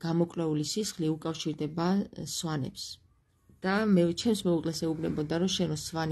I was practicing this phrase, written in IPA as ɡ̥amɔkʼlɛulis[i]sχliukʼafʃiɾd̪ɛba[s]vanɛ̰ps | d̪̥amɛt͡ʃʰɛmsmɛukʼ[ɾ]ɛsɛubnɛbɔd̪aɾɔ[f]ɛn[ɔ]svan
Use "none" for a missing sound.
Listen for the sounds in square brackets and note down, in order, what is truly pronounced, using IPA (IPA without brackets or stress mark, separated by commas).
i, s, l, ʃ, ɔ